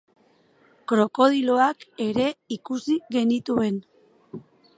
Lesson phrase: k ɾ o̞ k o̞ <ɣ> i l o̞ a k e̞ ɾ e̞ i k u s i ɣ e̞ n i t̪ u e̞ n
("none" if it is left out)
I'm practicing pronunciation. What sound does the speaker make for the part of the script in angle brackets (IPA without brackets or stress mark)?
ð